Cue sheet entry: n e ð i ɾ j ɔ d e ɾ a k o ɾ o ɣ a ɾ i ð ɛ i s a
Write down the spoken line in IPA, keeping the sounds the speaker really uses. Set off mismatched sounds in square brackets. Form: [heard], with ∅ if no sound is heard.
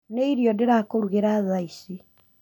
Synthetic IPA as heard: n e [∅] i ɾ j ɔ d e ɾ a k o ɾ [u] ɣ [e] ɾ [a] ð [a] i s [i]